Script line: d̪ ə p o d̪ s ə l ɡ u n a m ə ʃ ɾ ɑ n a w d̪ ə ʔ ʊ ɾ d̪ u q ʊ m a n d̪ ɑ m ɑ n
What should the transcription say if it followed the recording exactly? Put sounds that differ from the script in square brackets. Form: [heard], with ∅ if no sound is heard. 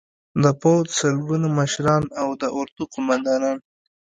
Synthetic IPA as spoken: d̪ ə p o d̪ s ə l ɡ u n a m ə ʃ ɾ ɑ n a w d̪ ə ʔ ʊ ɾ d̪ u q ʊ m a n d̪ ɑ [n] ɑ n